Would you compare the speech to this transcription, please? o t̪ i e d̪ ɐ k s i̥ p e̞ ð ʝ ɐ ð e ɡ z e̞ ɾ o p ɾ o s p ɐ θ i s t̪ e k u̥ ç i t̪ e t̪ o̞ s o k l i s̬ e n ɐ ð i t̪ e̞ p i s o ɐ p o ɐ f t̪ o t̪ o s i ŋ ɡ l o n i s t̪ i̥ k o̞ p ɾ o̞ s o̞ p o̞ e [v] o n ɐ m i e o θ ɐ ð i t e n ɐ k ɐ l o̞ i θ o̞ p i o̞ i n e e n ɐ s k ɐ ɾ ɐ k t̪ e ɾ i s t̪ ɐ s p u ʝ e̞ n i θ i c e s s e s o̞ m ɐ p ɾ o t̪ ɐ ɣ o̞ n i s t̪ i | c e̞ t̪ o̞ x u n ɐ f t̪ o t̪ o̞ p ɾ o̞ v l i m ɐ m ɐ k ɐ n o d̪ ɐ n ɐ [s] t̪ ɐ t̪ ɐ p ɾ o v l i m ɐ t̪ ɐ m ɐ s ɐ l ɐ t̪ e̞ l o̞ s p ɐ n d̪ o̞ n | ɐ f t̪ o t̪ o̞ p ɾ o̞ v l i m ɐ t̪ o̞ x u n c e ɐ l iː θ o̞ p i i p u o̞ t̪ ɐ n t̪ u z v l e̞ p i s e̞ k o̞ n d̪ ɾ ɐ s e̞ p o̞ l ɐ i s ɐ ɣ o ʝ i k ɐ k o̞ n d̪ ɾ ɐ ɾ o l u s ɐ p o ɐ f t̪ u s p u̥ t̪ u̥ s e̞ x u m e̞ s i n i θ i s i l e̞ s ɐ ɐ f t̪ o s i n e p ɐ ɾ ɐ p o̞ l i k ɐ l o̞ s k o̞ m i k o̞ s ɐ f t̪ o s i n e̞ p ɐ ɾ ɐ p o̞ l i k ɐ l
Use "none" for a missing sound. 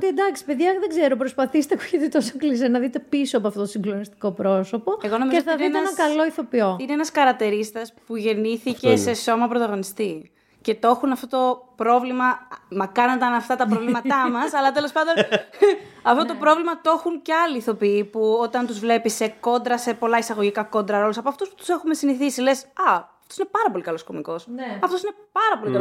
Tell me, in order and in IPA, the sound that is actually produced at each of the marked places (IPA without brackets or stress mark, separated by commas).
ɣ, f